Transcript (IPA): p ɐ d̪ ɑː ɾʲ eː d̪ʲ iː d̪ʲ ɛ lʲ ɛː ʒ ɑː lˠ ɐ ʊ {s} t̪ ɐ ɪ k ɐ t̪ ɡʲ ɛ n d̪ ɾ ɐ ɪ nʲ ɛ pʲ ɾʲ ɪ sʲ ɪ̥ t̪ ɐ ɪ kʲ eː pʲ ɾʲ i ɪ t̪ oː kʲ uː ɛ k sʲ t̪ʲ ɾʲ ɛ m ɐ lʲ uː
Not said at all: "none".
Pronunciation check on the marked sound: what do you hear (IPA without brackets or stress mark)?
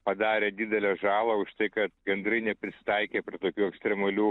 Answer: ʃ